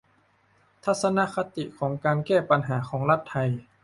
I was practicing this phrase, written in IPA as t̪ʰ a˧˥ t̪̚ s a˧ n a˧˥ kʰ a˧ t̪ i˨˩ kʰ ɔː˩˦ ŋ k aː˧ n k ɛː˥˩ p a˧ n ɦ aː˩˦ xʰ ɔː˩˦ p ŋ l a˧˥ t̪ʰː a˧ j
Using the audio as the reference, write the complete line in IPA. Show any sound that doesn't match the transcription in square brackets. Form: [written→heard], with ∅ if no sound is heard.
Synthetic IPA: t̪ʰ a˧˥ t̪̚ s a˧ n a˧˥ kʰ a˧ t̪ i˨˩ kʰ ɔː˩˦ ŋ k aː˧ n k ɛː˥˩ p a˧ n ɦ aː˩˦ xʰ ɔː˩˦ [p→∅] ŋ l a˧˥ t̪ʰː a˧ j